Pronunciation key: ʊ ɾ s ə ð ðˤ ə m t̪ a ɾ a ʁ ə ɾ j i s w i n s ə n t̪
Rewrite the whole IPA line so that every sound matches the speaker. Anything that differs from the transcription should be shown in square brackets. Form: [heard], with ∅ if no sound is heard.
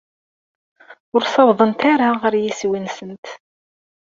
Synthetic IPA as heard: ʊ ɾ s [ɑ] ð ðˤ ə [n] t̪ a ɾ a ʁ ə ɾ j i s w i n s ə n t̪